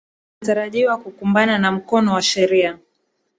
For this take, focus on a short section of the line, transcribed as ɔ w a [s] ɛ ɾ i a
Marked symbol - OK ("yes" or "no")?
no